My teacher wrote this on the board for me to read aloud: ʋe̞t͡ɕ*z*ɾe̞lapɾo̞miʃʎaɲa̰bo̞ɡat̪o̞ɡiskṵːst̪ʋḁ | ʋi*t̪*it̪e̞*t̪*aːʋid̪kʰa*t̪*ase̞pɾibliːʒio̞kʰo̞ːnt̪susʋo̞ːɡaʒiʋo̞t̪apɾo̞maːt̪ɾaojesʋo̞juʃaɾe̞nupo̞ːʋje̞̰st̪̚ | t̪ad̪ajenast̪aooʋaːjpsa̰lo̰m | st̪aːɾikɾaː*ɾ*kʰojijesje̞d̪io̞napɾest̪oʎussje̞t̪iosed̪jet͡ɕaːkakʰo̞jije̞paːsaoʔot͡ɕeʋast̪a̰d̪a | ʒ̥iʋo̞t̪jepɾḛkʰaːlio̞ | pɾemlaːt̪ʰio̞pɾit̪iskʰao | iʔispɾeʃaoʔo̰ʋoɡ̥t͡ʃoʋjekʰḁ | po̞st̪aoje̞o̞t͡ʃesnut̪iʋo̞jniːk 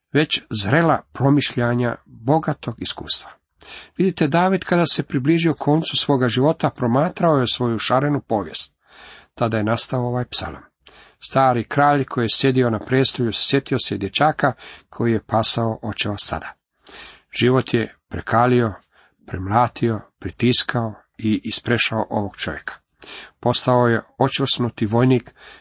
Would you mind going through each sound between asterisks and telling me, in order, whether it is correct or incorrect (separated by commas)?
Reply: correct, incorrect, incorrect, incorrect, incorrect